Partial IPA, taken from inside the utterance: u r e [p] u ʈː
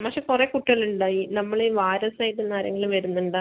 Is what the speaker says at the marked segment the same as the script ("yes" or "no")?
no